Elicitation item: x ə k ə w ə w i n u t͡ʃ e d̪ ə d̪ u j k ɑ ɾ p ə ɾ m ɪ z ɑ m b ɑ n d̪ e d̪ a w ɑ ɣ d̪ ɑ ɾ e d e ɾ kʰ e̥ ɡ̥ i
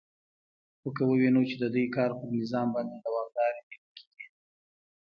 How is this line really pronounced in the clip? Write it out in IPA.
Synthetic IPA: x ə k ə w ə w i n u t͡ʃ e d̪ ə d̪ u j k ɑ ɾ p ə ɾ n ɪ z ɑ m b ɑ n d̪ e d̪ a w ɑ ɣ d̪ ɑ ɾ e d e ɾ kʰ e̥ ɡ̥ i

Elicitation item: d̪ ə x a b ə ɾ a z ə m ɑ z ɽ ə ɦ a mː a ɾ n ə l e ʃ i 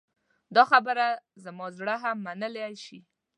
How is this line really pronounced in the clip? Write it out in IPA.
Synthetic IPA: d̪ ɑ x a b ə ɾ a z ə m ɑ z ɽ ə ɦ a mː a n ə l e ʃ i

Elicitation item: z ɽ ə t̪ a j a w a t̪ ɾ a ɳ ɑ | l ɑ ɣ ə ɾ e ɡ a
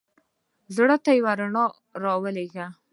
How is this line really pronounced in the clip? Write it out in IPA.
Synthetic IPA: z ɽ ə t̪ a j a w a ɾ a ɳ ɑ | ɾ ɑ w ə l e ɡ a

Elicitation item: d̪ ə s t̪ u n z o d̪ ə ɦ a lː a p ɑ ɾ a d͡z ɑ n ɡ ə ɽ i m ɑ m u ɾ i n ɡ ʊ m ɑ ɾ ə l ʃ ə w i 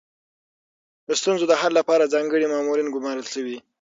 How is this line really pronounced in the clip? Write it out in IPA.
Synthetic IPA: d̪ ə s t̪ u n z o d̪ ə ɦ a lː a p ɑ ɾ a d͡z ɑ ŋ ɡ ə ɽ i m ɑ m u ɾ i n ɡ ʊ m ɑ ɾ ə l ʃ ə w i

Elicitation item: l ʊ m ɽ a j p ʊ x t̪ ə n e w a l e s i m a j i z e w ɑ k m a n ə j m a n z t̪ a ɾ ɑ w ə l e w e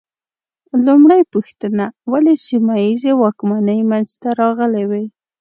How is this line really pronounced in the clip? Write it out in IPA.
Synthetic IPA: l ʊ m ɽ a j p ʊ x t̪ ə n a w a l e s i m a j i z e w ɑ k m a n ə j m a n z t̪ a ɾ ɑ ɣ ə l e w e

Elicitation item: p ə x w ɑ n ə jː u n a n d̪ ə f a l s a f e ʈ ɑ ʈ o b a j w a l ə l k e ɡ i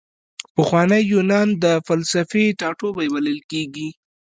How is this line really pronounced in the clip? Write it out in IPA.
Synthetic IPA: p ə x w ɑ n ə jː u n ɑ n d̪ ə f a l s a f e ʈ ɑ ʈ o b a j w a l ə l k e ɡ i

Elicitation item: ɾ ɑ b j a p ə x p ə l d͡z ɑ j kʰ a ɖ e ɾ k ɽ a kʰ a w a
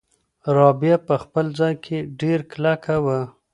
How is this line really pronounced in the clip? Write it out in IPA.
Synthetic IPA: ɾ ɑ b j a p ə x p ə l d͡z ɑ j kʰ e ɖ e ɾ k l a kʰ a w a

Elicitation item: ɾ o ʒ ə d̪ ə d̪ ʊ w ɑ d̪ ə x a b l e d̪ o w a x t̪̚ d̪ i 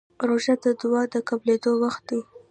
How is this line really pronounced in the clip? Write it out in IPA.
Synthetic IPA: ɾ o ʒ a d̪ ə d̪ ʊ w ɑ d̪ ə k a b l e d̪ o w a x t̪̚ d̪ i

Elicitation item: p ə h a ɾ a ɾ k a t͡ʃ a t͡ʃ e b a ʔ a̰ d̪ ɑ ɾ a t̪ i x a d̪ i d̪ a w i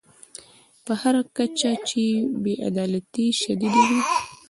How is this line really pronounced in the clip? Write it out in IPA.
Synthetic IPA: p ə h a ɾ a k a t͡ʃ a t͡ʃ e b e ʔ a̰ d̪ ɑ l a t̪ i ʃ a d̪ i d̪ a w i

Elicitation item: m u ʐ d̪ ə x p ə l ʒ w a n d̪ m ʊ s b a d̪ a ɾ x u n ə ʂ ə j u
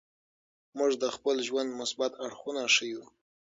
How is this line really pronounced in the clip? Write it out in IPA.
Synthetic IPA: m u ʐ d̪ ə x p ə l ʒ w a n d̪ m ʊ s b a t̪ a ɽ x u n a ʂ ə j u

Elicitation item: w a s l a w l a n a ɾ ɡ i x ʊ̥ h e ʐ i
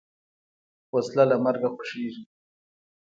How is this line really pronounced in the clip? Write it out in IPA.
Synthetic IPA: w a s l a l a m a ɾ ɡ a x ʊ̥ ʂ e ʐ i

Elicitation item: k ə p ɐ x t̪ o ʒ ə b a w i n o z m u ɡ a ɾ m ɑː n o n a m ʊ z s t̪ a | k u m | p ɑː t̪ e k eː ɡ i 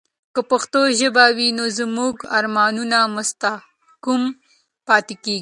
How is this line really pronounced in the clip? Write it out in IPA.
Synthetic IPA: k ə p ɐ x t̪ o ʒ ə b a w i n o z m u ɡ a ɾ m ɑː n u n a m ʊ s t̪ a | k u m | p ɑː t̪ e k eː ɡ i

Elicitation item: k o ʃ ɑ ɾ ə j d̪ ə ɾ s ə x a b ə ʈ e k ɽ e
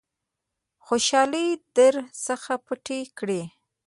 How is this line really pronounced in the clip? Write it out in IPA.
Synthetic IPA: x o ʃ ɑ l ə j d̪ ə ɾ s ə x a p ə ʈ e k ɽ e

